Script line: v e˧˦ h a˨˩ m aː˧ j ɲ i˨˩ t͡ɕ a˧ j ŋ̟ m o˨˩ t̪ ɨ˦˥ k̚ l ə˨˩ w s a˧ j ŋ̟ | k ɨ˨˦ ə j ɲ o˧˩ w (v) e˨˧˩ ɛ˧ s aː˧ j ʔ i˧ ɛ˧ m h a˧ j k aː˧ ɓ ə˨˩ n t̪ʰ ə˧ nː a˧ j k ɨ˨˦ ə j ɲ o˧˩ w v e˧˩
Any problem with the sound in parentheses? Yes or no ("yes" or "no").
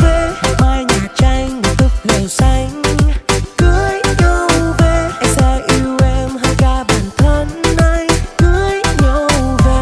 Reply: no